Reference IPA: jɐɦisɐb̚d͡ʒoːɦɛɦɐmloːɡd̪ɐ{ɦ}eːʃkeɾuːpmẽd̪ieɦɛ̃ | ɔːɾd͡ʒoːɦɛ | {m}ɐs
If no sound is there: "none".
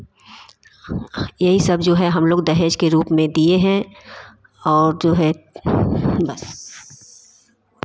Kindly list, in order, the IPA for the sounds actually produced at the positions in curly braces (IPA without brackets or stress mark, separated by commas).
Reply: ɦ, b